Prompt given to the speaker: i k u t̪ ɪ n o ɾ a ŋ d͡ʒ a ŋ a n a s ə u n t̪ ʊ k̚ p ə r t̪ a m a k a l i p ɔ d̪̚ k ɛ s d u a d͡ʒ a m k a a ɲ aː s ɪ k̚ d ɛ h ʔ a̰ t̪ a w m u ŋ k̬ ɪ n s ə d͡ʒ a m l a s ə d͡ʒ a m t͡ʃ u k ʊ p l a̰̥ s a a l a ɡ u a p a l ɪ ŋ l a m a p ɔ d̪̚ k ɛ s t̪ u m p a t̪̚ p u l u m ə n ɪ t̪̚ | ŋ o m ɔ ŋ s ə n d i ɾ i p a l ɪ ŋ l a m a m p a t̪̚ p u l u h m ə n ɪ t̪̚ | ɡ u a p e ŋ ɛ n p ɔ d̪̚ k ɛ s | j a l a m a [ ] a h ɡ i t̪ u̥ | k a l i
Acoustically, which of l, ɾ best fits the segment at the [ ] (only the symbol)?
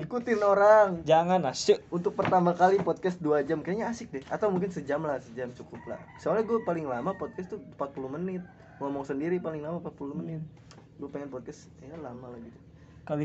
l